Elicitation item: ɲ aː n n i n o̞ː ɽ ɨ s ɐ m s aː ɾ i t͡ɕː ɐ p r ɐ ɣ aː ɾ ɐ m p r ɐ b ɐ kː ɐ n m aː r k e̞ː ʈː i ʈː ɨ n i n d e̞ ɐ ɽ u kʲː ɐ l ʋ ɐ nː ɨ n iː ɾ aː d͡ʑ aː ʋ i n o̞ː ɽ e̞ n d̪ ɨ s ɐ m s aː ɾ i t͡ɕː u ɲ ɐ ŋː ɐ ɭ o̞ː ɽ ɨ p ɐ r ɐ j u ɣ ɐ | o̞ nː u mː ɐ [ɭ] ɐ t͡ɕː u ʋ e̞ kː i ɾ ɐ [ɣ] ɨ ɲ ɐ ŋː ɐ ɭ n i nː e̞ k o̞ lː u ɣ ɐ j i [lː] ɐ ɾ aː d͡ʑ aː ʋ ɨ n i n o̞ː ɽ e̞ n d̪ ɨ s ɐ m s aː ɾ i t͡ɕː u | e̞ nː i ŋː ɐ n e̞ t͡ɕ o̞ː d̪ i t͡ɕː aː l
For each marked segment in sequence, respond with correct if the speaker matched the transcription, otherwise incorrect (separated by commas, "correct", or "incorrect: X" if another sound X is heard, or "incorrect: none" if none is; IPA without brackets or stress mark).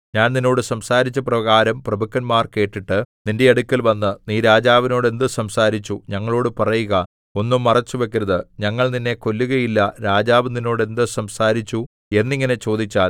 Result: incorrect: r, incorrect: ð, correct